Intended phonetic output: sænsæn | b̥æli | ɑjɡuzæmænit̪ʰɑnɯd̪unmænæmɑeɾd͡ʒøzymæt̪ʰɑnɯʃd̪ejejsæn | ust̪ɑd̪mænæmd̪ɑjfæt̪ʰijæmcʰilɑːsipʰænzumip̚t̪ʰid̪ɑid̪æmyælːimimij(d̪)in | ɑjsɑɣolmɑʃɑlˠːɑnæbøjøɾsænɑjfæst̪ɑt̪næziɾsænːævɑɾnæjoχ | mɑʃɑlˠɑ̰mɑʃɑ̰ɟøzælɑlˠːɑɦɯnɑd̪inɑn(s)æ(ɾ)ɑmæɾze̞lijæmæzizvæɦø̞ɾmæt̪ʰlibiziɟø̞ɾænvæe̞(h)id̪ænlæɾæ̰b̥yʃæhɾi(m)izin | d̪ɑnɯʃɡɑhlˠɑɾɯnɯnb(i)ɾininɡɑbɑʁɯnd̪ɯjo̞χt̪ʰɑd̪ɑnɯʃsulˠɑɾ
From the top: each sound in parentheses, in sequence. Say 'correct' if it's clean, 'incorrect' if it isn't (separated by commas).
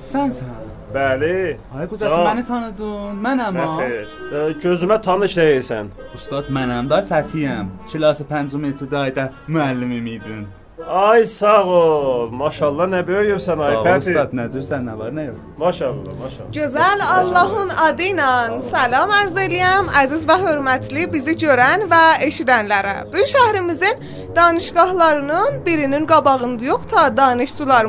correct, correct, incorrect, incorrect, correct, correct